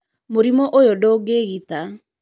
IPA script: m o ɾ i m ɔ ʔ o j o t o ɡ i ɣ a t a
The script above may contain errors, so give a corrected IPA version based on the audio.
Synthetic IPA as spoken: m o ɾ i m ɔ ʔ o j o d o ɡ e ɣ i t a